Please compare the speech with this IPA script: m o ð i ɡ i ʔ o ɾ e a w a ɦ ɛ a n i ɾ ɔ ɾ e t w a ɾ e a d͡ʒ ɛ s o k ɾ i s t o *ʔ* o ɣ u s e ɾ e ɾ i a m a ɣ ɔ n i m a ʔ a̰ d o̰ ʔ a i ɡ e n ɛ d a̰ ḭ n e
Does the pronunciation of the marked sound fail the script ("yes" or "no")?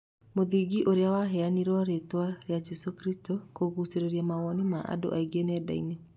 yes